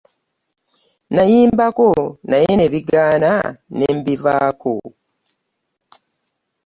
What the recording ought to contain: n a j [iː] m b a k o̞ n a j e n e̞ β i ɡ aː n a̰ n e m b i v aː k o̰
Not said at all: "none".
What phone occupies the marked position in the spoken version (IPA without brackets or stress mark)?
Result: iː